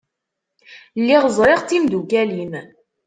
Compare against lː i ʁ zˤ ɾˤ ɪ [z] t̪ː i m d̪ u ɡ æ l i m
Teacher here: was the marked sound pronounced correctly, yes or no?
no